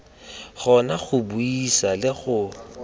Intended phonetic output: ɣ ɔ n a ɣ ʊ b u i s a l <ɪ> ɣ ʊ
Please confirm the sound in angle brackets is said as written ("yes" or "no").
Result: yes